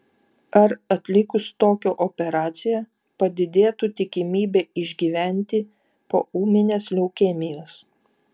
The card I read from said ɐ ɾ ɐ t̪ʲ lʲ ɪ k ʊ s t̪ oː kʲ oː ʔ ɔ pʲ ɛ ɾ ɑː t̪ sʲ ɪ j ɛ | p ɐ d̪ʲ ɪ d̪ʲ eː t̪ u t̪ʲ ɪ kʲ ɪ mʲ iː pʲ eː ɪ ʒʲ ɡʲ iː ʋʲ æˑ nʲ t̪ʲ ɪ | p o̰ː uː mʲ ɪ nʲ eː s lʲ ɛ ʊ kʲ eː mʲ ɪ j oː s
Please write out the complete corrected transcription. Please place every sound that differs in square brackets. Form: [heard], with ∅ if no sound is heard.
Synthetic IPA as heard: ɐ ɾ ɐ t̪ʲ lʲ ɪ k ʊ s t̪ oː kʲ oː ʔ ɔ pʲ ɛ ɾ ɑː t̪ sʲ ɪ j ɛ | p ɐ d̪ʲ ɪ d̪ʲ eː t̪ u t̪ʲ ɪ kʲ ɪ mʲ iː [bʲ] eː ɪ ʒʲ ɡʲ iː ʋʲ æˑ nʲ t̪ʲ ɪ | p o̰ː uː mʲ ɪ nʲ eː s lʲ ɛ ʊ kʲ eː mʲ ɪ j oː s